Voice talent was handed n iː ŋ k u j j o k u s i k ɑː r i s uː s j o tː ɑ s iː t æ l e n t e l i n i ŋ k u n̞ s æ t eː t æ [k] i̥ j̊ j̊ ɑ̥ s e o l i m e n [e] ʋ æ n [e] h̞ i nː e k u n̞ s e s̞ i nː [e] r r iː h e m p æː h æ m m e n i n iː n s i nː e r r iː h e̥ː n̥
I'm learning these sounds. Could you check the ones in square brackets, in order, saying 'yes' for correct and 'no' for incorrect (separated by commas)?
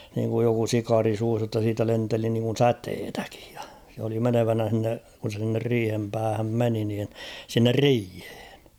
yes, yes, no, yes